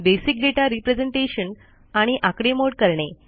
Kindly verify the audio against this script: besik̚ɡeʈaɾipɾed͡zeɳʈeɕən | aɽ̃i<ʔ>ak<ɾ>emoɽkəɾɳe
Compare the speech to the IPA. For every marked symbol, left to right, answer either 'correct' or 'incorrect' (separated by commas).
correct, incorrect